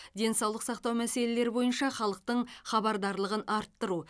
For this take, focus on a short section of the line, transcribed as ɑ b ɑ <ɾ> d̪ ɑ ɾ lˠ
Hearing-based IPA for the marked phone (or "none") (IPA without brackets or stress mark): ɾ